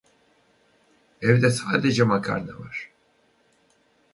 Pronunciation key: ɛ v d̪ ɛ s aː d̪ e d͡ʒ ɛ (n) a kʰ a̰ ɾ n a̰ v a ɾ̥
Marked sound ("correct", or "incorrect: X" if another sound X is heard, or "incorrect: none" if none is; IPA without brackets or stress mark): incorrect: m